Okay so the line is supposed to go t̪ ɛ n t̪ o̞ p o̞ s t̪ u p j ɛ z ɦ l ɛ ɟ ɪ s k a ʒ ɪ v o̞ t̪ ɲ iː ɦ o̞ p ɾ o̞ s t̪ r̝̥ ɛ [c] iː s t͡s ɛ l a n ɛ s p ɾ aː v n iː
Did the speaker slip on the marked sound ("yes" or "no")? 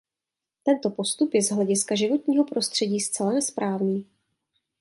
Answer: yes